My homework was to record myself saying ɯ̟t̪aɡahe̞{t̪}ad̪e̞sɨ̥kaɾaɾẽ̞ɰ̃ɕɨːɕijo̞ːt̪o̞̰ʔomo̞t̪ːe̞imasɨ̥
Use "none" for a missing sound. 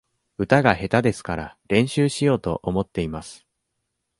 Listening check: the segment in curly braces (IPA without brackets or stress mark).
t̪